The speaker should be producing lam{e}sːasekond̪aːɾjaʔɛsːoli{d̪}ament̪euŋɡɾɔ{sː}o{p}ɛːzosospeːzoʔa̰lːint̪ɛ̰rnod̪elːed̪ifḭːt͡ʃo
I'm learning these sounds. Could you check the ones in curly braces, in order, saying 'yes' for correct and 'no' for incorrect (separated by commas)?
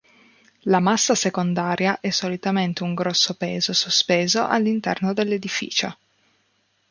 no, no, yes, yes